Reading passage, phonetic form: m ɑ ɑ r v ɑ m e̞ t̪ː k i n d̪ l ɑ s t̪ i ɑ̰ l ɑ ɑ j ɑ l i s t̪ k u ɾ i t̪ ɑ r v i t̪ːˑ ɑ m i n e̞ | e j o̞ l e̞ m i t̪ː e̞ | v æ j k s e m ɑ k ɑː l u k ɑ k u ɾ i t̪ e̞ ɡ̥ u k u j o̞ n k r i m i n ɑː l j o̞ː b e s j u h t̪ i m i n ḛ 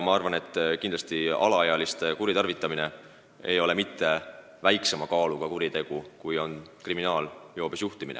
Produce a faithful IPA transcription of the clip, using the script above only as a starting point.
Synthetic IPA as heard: m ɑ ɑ r v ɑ n e̞ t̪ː k i n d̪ l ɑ s t̪ i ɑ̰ l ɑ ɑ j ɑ l i s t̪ k u ɾ i t̪ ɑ r v i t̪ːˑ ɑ m i n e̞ | e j o̞ l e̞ m i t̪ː e̞ | v æ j k s e m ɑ k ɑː l u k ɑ k u ɾ i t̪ e̞ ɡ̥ u k u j o̞ n k r i m i n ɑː l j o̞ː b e s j u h t̪ i m i n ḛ